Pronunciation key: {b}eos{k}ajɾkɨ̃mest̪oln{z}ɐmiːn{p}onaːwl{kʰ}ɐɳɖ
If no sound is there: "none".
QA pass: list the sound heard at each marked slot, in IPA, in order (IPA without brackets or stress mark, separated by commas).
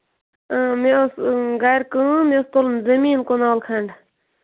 m, ɡ, z, k, kʰ